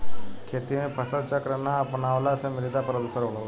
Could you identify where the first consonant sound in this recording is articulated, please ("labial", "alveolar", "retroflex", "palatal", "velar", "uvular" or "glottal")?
velar